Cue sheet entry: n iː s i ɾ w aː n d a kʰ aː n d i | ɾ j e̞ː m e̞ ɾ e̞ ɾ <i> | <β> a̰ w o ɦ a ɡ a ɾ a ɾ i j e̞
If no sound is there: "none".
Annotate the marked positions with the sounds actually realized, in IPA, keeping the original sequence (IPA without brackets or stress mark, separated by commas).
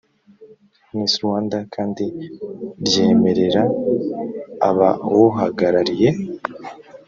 a, β